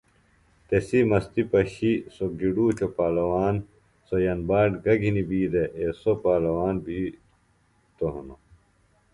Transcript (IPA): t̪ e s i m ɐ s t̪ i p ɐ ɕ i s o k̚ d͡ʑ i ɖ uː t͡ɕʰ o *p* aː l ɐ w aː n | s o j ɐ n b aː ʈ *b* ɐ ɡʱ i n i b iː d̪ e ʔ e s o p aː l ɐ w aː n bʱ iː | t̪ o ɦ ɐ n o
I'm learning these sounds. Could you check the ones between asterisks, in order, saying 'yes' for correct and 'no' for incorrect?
yes, no

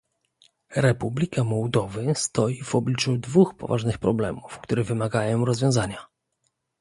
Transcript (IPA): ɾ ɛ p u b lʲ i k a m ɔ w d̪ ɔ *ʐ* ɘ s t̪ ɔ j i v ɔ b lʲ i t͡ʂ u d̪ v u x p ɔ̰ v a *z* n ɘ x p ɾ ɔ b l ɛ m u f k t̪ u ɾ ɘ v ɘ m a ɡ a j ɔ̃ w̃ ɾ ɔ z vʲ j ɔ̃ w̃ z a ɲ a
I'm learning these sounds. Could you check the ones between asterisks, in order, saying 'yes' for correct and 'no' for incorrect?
no, no

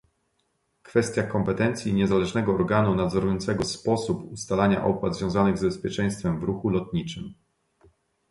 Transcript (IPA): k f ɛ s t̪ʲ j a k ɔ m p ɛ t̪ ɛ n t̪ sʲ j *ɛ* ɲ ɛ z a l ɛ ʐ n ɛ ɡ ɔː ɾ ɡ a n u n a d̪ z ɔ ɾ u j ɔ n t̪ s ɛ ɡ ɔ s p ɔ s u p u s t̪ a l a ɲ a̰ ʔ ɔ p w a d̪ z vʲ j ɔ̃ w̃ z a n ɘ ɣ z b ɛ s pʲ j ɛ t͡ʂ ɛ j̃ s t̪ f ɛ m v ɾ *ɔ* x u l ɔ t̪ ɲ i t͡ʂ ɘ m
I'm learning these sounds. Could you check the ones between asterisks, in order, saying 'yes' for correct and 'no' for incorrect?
no, no

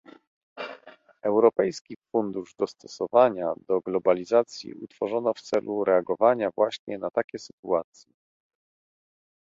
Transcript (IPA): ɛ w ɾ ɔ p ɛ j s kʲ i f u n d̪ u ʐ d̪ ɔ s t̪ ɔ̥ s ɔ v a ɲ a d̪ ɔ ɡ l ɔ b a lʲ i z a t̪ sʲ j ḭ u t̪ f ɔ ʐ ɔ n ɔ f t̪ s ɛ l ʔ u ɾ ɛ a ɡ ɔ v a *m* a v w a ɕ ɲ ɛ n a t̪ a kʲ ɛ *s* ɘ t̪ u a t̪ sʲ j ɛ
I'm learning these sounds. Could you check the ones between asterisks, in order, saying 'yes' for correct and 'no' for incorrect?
no, yes

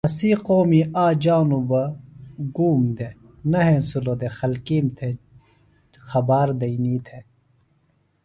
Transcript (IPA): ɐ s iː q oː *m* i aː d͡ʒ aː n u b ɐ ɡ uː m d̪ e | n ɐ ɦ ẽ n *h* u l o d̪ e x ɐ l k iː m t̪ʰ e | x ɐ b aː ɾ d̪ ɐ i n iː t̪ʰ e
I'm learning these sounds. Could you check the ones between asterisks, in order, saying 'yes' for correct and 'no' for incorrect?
yes, no

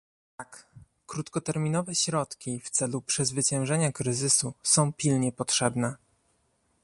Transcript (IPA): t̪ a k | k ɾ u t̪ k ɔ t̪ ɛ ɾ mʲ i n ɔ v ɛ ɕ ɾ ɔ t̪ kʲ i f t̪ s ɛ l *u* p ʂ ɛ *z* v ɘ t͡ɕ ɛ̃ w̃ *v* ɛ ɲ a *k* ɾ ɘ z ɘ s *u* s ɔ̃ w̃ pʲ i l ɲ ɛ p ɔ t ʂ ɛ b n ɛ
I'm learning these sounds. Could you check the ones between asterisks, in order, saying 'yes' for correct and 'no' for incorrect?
yes, yes, no, yes, yes

